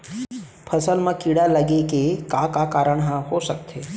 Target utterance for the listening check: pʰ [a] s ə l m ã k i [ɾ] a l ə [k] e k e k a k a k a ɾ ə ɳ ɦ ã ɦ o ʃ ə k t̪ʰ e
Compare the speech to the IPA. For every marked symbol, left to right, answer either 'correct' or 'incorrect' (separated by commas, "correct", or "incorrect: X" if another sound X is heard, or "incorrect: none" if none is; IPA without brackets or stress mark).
incorrect: ə, incorrect: ɽ, incorrect: ɡ